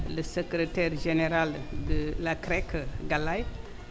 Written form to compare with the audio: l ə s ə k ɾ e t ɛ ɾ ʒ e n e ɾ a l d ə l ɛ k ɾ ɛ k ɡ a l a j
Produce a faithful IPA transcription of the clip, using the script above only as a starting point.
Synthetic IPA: l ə s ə k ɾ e t ɛ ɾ ʒ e n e ɾ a l d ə l a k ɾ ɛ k ɡ a l a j

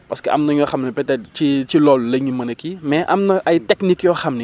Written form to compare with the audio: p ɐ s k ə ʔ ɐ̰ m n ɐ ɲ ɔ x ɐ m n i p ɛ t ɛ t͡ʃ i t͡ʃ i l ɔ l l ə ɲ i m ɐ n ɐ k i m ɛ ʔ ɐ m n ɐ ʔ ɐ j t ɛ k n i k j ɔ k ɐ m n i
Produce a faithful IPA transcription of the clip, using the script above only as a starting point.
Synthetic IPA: p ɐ s k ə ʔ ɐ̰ m n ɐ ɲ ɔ x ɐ m n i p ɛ t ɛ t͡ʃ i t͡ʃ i l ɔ l l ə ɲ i m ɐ n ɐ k i m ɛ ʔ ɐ m n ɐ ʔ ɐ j t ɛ k n i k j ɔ x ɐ m n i

